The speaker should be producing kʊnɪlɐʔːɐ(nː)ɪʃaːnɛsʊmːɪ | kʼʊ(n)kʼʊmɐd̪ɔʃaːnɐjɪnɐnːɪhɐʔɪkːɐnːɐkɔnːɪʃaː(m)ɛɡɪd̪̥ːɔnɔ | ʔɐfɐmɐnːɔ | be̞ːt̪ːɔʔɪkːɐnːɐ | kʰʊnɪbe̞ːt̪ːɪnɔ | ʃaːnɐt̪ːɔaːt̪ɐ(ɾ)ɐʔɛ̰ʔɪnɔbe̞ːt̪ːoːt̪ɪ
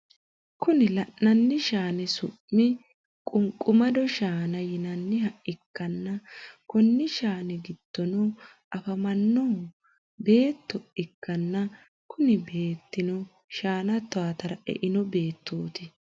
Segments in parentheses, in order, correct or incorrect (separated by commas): correct, incorrect, incorrect, correct